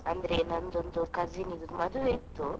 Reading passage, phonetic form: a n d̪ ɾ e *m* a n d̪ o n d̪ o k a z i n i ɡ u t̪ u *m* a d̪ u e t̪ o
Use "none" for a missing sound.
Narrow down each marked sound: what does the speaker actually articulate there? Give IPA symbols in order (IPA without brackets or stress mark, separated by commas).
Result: n, m